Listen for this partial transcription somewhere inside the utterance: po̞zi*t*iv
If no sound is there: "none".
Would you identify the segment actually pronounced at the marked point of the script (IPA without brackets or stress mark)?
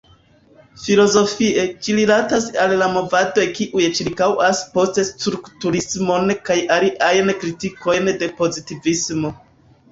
t